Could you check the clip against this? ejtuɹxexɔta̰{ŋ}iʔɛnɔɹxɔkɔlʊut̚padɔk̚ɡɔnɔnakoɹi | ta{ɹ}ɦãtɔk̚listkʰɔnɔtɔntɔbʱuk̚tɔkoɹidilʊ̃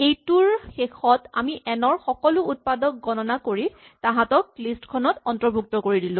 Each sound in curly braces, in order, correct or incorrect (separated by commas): incorrect, incorrect